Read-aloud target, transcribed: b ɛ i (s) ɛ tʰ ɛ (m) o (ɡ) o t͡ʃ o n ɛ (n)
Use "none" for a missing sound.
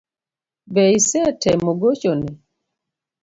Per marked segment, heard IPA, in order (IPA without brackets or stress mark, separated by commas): s, m, ɡ, none